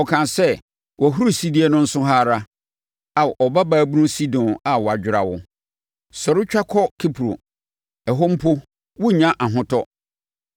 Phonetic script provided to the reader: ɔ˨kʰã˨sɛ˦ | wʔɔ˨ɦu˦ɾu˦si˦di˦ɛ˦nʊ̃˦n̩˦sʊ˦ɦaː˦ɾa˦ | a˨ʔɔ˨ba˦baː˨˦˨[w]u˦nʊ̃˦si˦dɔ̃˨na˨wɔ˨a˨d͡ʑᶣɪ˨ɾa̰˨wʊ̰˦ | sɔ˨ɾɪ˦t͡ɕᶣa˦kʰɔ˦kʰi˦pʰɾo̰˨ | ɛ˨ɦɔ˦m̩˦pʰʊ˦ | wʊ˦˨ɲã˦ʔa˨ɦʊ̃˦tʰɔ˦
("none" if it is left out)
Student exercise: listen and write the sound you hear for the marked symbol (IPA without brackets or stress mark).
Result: b